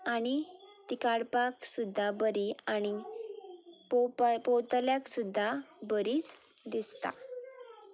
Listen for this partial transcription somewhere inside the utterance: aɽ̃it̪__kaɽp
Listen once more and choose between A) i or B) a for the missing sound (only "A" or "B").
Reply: A